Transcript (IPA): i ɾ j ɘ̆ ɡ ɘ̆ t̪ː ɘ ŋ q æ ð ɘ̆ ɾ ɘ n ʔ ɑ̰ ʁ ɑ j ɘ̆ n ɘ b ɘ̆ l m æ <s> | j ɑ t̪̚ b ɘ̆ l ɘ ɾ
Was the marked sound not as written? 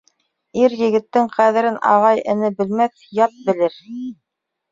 yes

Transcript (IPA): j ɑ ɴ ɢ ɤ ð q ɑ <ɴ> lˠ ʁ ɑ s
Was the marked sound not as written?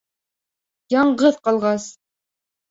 yes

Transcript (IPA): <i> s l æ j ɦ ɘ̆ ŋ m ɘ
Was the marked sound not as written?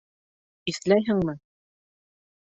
no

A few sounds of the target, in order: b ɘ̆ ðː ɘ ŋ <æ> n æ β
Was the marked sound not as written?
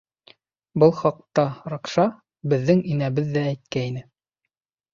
yes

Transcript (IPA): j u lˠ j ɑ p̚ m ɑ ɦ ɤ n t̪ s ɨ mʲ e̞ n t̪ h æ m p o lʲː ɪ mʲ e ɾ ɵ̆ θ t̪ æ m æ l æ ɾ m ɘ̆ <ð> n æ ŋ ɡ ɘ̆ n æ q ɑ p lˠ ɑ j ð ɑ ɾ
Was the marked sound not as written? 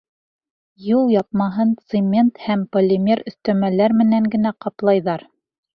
yes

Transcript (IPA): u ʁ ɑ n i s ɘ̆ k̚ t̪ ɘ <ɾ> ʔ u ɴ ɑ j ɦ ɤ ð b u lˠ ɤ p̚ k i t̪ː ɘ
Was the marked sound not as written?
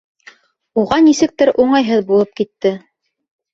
no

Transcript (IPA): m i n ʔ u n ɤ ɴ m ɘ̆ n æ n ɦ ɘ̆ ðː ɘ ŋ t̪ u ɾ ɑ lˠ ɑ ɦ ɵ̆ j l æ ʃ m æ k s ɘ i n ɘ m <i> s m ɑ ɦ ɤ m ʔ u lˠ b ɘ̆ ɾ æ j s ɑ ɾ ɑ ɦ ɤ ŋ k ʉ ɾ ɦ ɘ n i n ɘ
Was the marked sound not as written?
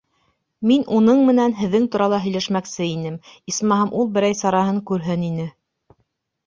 no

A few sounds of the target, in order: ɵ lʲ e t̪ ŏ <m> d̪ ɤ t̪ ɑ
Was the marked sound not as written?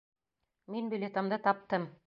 no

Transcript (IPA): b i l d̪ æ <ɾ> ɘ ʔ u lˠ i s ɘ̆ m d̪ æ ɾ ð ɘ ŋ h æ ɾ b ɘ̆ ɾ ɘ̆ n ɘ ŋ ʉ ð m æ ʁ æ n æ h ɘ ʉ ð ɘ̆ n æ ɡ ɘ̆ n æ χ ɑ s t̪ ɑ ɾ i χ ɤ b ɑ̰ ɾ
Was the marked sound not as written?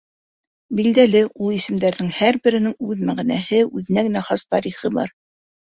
yes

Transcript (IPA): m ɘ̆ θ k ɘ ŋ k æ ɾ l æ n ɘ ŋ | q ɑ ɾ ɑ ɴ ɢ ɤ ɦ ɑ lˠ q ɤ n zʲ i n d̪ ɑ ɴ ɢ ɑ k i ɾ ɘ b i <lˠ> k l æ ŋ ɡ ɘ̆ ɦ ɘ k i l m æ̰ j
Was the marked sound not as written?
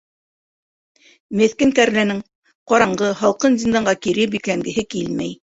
yes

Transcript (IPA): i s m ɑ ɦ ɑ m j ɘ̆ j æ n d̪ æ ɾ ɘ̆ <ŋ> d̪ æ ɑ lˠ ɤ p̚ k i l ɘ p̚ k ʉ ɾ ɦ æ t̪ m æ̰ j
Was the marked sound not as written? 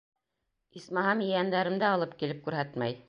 yes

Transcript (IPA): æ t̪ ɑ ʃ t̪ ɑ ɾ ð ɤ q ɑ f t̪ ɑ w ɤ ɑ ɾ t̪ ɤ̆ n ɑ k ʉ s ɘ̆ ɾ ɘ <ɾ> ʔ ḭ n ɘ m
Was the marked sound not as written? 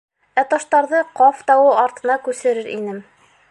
no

